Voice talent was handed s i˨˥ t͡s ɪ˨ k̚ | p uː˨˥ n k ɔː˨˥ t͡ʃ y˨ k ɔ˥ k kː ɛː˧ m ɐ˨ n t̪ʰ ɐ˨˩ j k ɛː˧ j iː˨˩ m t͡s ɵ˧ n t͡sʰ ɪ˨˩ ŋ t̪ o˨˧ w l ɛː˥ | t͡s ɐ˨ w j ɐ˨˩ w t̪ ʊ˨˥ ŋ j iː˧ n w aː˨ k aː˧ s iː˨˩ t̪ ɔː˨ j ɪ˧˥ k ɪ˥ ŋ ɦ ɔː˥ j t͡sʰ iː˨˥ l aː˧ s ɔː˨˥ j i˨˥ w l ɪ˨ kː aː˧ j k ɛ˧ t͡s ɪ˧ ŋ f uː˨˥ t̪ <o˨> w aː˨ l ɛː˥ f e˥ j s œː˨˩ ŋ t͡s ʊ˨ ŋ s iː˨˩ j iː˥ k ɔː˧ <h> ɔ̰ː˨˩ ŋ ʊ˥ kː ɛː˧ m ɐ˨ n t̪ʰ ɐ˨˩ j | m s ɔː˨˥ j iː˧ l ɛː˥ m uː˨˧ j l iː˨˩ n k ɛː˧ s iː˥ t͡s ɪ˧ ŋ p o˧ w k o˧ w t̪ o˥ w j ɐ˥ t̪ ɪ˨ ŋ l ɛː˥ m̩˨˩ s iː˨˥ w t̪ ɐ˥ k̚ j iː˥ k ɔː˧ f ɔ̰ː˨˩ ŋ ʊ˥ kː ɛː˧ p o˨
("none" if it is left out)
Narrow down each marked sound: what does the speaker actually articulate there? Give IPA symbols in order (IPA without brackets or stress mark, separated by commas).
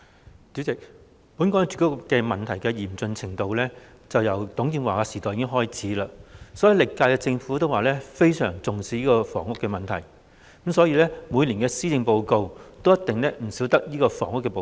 o˥, f